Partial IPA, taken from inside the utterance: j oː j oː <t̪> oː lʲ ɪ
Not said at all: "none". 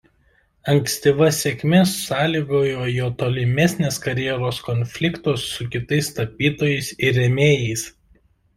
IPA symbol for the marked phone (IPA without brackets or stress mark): t̪